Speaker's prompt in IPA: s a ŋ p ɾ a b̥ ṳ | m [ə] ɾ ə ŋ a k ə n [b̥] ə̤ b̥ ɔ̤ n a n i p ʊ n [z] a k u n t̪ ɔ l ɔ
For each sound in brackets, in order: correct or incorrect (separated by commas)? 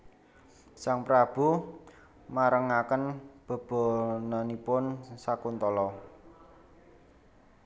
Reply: incorrect, correct, incorrect